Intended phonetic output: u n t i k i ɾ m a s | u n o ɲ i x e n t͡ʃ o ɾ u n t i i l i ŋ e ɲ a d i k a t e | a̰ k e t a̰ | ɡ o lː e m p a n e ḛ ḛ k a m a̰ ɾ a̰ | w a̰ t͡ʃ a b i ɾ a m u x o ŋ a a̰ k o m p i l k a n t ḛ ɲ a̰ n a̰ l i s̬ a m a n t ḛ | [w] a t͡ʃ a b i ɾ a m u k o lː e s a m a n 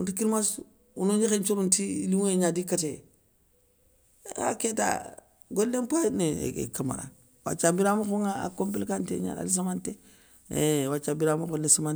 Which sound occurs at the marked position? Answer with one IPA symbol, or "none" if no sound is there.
w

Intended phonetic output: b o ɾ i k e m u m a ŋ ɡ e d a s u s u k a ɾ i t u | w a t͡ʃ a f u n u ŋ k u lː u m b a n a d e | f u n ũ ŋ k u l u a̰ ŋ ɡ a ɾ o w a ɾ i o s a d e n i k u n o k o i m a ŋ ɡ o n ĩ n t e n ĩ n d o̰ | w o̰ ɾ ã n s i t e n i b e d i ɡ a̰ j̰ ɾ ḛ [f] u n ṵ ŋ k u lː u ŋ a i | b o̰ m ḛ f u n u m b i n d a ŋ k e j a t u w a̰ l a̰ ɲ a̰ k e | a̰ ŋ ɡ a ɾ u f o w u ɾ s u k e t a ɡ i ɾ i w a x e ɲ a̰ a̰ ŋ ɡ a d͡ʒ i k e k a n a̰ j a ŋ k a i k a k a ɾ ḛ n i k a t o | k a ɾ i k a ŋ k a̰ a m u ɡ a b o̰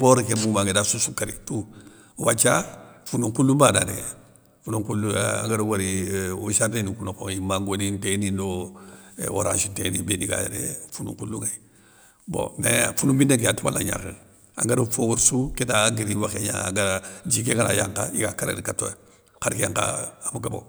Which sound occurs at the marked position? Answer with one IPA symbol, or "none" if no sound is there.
f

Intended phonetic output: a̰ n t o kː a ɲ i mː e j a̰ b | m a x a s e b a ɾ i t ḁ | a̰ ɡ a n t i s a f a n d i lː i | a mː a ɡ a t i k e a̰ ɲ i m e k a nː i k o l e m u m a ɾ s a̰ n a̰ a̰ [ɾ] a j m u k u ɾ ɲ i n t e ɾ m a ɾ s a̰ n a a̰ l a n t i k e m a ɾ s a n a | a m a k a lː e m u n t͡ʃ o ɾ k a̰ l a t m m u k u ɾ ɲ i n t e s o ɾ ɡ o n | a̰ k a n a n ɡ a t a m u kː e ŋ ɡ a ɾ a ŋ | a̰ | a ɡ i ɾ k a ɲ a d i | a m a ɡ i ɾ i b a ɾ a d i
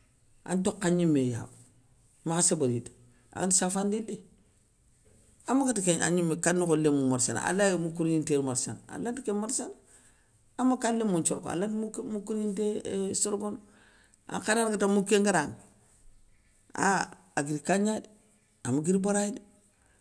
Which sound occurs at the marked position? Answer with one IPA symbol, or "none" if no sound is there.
l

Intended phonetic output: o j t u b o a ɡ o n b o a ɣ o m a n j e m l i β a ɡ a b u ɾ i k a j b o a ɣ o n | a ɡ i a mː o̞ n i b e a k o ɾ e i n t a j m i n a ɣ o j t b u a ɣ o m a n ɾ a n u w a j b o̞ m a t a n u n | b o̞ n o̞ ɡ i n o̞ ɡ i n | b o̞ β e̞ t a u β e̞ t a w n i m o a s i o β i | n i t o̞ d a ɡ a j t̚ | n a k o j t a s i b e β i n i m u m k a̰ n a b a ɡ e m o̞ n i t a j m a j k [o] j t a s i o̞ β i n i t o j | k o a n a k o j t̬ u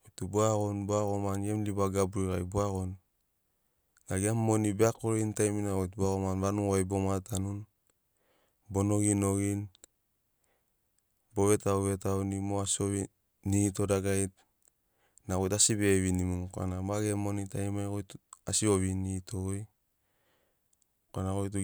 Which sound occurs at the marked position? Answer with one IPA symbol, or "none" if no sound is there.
o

